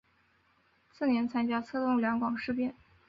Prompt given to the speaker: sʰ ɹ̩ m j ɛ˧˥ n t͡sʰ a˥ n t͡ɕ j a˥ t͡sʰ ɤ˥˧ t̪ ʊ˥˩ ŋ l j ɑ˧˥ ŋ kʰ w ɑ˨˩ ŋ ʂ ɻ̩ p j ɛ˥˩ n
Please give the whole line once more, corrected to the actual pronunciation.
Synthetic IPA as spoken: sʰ ɹ̩ n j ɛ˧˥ n t͡sʰ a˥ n t͡ɕ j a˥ t͡sʰ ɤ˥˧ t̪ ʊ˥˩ ŋ l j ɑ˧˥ ŋ k w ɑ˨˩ ŋ ʂ ɻ̩ p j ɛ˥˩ n

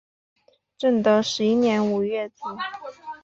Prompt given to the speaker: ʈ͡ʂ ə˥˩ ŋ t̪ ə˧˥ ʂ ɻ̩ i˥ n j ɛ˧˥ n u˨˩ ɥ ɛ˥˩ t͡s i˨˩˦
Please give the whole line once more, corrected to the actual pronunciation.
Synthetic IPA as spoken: ʈ͡ʂ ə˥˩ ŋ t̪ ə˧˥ ʂ ɻ̩ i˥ n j ɛ˧˥ n u˨˩ ɥ ɛ˥˩ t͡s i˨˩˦

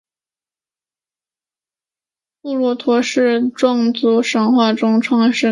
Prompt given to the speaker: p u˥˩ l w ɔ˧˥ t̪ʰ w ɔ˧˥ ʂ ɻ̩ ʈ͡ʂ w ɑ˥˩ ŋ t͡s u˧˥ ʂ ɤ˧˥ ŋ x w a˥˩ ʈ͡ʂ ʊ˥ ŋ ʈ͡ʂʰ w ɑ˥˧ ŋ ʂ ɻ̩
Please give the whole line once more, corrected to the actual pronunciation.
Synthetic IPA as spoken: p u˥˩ l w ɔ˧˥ t̪ʰ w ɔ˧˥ ʂ ɻ̩ ʈ͡ʂ w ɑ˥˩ ŋ t͡s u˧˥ ʂ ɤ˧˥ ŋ x w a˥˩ ʈ͡ʂ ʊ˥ ŋ ʈ͡ʂʰ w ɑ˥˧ ŋ ʂ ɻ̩

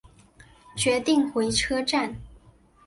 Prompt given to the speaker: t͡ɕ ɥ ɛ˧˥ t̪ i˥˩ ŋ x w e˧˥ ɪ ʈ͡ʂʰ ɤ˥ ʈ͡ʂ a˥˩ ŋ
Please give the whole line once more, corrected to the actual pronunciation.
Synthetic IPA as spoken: t͡ɕ ɥ ɛ˧˥ t̪ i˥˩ ŋ x w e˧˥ ɪ ʈ͡ʂʰ ɤ˥ ʈ͡ʂ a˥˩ n

